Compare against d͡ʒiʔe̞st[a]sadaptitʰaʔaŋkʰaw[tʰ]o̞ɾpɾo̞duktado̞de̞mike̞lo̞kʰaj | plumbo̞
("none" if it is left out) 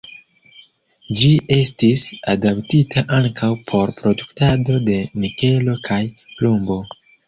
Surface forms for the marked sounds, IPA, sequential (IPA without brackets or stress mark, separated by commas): i, pʰ